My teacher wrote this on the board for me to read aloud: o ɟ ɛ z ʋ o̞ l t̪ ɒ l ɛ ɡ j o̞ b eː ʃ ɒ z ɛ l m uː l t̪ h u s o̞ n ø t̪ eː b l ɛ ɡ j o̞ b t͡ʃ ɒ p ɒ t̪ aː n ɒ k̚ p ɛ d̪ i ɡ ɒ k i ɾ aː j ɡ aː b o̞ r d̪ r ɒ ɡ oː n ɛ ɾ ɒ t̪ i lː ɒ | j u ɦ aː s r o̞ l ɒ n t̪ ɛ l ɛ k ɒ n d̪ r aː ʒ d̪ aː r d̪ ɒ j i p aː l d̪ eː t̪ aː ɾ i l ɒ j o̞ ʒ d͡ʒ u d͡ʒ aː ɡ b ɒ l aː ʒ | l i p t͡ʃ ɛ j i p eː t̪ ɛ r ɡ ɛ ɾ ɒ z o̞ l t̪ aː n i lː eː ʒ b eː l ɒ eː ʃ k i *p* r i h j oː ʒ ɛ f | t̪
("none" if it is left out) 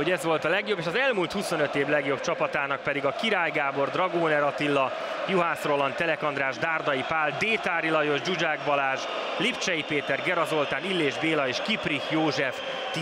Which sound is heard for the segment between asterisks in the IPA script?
p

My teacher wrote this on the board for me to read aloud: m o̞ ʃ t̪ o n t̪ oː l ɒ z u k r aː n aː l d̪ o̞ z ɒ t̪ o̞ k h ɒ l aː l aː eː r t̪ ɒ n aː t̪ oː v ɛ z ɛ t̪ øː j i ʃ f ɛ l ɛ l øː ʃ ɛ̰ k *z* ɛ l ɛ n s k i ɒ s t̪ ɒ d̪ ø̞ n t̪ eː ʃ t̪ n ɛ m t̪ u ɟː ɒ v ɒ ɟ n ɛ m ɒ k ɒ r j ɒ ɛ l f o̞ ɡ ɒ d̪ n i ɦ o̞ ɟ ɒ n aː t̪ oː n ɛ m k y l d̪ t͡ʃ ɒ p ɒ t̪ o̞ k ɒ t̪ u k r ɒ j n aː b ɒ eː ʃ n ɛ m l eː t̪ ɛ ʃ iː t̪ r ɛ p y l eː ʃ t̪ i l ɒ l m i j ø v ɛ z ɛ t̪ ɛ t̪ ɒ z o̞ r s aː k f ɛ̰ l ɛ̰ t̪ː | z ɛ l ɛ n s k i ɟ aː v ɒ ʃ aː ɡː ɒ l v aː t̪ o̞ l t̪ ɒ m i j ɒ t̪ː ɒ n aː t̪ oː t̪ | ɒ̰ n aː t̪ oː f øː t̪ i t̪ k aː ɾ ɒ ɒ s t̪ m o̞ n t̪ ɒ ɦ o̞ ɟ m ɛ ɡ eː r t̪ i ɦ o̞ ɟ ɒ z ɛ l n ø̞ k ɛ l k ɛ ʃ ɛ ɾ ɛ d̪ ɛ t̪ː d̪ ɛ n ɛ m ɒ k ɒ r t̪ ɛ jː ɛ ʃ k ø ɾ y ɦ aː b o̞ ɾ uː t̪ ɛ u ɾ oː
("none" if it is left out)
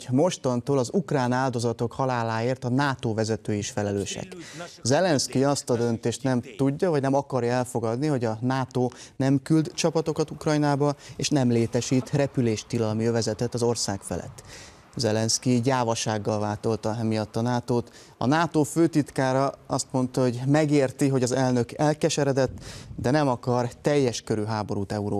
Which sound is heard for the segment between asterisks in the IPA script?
z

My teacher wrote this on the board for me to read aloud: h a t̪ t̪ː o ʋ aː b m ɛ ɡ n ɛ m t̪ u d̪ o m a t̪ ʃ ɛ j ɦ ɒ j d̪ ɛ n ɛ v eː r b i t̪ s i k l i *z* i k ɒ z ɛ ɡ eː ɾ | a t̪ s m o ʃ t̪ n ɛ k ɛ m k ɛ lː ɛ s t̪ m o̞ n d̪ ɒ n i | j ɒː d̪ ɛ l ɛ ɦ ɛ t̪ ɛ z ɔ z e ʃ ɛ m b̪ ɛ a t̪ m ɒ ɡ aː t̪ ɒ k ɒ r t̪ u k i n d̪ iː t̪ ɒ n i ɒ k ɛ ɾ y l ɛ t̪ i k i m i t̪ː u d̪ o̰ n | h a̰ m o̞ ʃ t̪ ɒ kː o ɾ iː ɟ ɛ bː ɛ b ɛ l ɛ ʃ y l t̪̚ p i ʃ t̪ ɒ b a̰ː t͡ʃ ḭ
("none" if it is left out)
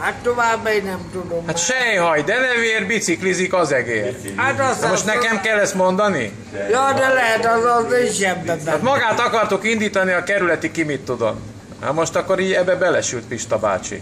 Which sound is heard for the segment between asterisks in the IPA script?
z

